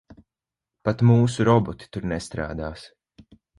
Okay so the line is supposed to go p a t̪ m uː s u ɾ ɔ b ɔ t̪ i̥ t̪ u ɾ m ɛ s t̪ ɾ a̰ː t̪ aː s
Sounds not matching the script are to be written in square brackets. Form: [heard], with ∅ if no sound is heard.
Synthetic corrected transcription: p a t̪ m uː s u ɾ ɔ b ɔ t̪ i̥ t̪ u ɾ [n] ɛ s t̪ ɾ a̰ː [d̪] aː s